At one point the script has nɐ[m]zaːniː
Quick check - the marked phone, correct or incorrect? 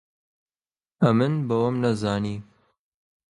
incorrect